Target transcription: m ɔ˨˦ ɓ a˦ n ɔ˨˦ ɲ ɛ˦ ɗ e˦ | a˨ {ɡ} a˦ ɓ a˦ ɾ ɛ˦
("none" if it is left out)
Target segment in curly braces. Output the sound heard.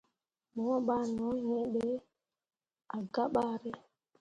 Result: ɡ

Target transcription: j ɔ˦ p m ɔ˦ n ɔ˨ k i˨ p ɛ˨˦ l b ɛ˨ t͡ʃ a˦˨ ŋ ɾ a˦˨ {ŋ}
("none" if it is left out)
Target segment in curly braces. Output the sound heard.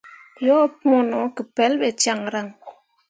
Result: ŋ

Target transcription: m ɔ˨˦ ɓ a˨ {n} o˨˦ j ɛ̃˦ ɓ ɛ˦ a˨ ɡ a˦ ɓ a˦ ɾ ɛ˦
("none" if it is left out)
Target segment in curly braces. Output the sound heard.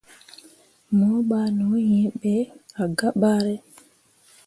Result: n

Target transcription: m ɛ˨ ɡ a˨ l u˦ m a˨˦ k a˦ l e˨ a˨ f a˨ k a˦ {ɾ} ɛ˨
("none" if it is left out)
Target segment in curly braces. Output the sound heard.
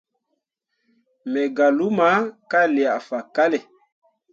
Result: l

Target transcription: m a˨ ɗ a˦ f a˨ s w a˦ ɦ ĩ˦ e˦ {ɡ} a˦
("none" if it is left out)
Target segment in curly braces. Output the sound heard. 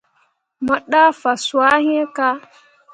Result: k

